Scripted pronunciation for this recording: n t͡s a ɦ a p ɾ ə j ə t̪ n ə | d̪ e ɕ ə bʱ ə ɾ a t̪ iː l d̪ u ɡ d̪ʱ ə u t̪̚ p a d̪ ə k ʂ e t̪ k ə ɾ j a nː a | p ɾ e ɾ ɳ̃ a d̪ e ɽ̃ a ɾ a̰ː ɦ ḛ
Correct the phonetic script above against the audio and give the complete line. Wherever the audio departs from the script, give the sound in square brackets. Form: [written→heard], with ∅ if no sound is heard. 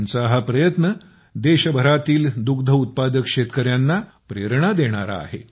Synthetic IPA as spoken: n t͡s a ɦ a p ɾ ə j ə t̪ n ə | d̪ e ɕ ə bʱ ə ɾ a t̪ iː l d̪ u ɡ d̪ʱ ə u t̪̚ p a d̪ ə k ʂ e t̪ k ə ɾ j a nː a | p ɾ e ɾ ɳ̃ a d̪ e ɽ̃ a ɾ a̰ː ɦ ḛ